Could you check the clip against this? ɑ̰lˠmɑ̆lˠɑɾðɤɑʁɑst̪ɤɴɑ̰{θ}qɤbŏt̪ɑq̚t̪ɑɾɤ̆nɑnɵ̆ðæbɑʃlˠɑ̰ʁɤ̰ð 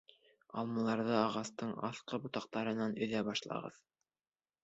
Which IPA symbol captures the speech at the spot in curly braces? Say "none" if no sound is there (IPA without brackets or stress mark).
θ